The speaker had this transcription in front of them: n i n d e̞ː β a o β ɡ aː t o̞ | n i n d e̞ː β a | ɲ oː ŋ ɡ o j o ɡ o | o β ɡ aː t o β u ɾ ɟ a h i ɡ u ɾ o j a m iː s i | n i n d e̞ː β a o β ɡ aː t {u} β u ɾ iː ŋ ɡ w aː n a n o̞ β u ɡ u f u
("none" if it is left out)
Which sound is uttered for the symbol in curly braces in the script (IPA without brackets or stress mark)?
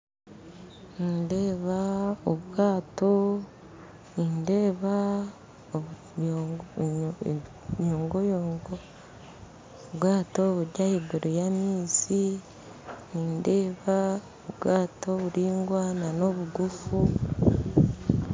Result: o